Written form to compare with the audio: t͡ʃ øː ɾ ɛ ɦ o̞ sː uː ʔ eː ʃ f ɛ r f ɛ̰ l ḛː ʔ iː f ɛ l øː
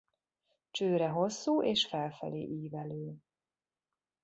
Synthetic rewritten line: t͡ʃ øː ɾ ɛ ɦ o̞ sː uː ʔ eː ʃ f ɛ l f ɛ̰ l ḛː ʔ iː v ɛ l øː